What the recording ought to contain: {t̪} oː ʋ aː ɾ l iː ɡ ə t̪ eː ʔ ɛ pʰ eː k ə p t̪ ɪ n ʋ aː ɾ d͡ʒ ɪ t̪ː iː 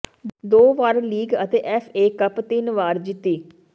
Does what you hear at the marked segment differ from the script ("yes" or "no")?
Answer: yes